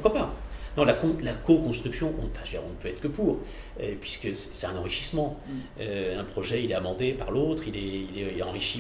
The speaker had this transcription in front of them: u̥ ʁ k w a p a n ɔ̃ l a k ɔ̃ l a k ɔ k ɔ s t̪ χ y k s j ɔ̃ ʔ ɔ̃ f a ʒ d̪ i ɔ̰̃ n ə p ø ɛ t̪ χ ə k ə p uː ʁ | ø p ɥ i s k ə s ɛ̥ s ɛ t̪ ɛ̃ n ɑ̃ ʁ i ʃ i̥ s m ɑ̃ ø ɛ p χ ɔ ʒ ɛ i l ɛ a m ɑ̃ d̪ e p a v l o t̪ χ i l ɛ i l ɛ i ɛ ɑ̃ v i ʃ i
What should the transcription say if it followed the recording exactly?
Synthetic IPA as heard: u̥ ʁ k w a p a n ɔ̃ l a k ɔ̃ l a k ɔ k ɔ̃ s t̪ χ y k s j ɔ̃ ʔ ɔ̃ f a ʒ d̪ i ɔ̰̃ n ə p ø ɛ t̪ χ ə k ə p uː ʁ | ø p ɥ i s k ə s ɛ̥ s ɛ t̪ ɛ̃ n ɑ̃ ʁ i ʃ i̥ s m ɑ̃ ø ɛ̃ p χ ɔ ʒ ɛ i l ɛ a m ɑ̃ d̪ e p a ʁ l o t̪ χ i l ɛ i l ɛ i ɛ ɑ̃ ʁ i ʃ i